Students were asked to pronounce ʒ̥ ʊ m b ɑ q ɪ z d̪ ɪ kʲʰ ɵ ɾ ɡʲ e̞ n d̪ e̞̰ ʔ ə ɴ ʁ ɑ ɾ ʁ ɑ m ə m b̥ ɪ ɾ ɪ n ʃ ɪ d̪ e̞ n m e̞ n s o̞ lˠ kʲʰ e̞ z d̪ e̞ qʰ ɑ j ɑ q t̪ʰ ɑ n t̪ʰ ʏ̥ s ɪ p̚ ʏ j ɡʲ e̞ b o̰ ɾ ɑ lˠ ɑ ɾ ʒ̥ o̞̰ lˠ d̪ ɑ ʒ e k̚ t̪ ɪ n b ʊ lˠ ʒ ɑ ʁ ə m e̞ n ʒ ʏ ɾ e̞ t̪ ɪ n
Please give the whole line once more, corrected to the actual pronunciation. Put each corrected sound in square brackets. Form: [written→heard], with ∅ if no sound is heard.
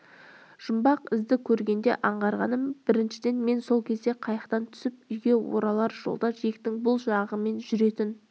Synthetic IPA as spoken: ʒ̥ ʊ m b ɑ q ɪ z d̪ ɪ kʲʰ ɵ ɾ ɡʲ e̞ n d̪ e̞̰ ʔ [ə→ɑ] ɴ ʁ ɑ ɾ ʁ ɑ [m→n] ə m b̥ ɪ ɾ ɪ n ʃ ɪ d̪ e̞ n m e̞ n s o̞ lˠ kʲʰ e̞ z d̪ e̞ qʰ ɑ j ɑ q [t̪ʰ→t̪] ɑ n t̪ʰ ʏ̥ s ɪ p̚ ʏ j ɡʲ e̞ [b→w] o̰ ɾ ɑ lˠ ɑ ɾ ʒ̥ o̞̰ lˠ d̪ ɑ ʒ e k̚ t̪ ɪ [n→ŋ] b ʊ lˠ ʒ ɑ ʁ ə m e̞ n ʒ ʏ ɾ e̞ t̪ ɪ n